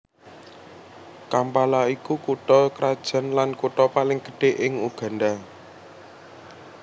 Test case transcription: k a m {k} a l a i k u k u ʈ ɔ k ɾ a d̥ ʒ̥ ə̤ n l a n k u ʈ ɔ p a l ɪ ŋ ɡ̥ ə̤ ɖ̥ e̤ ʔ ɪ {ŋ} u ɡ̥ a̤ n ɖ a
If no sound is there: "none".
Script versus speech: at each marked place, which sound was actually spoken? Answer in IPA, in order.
p, ŋ

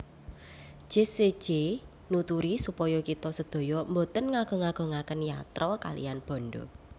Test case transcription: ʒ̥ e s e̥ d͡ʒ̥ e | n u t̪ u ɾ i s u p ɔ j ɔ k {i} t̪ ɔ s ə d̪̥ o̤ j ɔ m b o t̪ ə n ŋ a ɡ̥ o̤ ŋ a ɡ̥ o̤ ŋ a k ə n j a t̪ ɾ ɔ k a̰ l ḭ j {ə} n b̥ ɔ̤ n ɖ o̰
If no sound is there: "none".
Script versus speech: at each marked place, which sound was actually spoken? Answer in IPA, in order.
i, a

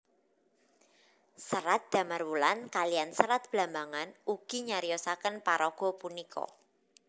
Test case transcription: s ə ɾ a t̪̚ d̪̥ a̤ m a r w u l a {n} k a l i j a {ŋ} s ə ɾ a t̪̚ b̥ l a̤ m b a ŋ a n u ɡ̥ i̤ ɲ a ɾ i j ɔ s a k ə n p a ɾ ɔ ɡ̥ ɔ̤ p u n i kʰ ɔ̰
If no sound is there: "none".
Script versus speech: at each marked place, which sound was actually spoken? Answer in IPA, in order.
n, n

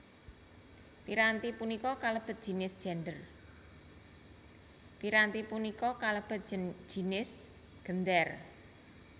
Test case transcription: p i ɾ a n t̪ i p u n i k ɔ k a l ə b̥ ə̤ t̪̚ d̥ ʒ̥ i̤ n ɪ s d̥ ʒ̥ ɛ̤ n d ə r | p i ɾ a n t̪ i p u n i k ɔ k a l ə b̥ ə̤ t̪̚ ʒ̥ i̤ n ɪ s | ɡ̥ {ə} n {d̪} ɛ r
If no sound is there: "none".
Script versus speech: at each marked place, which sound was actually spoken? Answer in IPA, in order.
ə, d̪

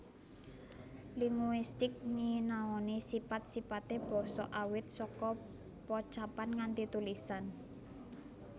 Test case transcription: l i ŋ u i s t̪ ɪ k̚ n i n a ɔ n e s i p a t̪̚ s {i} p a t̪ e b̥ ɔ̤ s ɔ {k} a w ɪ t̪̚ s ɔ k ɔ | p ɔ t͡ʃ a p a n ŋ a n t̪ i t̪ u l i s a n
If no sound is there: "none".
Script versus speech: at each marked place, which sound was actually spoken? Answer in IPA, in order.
i, ʔ

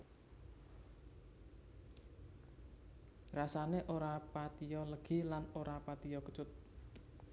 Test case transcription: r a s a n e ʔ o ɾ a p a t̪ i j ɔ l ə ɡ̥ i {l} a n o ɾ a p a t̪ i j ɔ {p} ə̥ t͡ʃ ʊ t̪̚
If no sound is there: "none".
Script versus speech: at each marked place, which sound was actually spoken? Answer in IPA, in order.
l, k

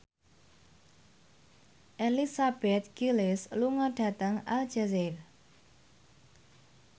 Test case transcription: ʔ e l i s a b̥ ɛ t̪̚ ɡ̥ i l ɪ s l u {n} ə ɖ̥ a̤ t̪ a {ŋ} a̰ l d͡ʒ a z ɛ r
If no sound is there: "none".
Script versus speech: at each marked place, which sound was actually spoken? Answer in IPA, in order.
ŋ, ŋ

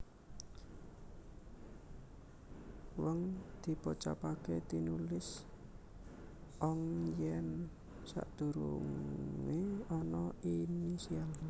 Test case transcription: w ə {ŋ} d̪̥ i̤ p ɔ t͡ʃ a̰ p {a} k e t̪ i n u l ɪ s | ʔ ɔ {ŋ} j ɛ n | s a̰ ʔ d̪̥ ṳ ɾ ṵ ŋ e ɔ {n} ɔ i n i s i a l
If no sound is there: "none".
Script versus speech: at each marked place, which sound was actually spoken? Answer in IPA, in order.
ŋ, a, ŋ, n

